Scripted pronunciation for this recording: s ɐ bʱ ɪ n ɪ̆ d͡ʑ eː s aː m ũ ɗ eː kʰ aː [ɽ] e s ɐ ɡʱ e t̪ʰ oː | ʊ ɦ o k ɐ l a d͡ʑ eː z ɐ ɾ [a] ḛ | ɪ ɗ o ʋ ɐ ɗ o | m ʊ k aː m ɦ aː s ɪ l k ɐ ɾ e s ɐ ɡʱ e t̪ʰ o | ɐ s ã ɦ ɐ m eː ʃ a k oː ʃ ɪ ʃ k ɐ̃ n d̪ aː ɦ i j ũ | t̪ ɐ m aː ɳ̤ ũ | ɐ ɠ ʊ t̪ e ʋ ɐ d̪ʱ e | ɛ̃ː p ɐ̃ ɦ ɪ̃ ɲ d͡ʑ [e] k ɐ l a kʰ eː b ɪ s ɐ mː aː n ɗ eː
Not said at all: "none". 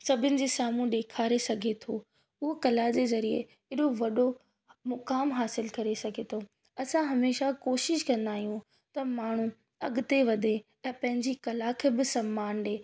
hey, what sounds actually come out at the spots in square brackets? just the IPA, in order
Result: ɾ, i, i

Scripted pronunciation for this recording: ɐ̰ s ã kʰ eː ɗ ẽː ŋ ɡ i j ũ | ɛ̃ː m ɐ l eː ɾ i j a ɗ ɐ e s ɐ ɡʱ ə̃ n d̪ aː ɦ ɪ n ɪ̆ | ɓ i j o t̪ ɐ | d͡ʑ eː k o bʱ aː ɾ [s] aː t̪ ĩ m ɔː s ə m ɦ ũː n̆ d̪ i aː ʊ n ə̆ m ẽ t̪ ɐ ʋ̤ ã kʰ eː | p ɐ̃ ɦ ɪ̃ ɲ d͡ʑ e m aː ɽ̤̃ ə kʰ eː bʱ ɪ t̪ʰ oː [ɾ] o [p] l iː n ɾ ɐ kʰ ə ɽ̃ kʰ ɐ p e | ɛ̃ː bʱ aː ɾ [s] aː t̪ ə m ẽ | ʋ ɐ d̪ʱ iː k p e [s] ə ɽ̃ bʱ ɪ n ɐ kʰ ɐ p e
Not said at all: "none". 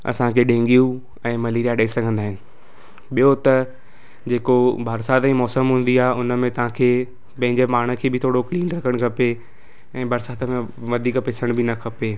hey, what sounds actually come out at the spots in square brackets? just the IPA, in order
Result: s, ɽ, k, s, s

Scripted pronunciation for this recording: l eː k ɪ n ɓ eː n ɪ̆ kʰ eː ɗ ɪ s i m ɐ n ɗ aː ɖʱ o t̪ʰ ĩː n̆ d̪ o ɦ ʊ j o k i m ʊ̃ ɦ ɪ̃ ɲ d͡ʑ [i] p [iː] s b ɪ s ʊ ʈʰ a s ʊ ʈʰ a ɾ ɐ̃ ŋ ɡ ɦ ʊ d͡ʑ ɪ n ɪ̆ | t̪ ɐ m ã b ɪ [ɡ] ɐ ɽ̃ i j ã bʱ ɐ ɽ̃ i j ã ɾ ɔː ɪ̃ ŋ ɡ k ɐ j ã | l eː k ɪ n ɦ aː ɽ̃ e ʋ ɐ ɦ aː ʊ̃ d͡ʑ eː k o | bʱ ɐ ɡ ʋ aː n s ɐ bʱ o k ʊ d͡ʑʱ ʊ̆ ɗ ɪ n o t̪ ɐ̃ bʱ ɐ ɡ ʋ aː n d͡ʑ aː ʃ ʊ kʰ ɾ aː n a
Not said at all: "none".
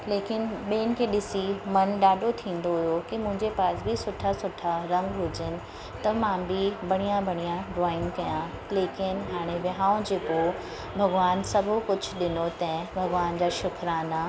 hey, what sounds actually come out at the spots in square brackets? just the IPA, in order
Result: e, aː, b

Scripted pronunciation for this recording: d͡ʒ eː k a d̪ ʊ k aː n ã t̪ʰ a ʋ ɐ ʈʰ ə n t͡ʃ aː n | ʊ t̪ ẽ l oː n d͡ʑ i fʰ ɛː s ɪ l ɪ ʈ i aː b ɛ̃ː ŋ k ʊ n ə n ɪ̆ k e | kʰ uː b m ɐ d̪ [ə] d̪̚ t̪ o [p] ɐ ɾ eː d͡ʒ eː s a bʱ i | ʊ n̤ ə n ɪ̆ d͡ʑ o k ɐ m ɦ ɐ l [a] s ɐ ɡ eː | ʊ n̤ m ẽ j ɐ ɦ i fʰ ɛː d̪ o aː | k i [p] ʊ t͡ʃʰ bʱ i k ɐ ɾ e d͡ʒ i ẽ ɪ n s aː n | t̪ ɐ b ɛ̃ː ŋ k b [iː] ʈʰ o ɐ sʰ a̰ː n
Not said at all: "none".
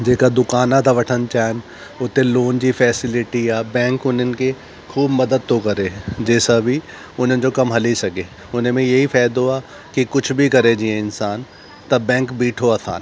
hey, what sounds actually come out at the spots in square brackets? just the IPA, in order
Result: ə, k, i, k, iː

